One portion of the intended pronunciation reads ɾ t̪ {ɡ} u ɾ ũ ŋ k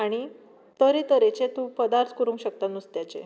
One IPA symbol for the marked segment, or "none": k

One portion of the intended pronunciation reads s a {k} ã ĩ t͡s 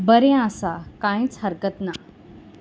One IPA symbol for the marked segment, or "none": k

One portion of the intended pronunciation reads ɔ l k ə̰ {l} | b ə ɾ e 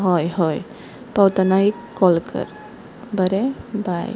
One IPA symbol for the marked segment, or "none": ɾ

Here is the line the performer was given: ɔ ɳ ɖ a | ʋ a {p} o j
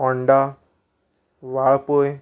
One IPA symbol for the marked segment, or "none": p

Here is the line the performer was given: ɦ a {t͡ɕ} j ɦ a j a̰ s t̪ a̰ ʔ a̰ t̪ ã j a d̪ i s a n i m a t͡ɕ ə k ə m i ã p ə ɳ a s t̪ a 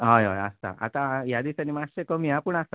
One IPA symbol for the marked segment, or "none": none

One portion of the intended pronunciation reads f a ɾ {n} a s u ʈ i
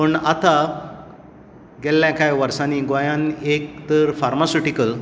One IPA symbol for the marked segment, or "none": m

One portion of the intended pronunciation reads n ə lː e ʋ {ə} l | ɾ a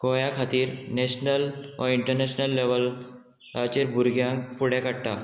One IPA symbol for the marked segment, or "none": ə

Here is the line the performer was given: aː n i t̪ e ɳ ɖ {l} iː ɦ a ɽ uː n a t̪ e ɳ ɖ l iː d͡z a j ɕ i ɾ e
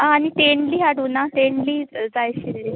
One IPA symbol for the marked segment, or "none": l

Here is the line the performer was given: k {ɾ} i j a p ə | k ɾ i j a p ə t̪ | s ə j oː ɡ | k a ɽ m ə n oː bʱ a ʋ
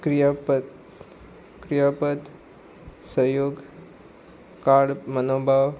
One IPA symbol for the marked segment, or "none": ɾ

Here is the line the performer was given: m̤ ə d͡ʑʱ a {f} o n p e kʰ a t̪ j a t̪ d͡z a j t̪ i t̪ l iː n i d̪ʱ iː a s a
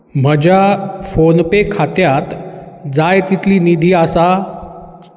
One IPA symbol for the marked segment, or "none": f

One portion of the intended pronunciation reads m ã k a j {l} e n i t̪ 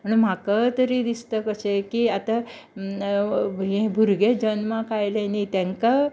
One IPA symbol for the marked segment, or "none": l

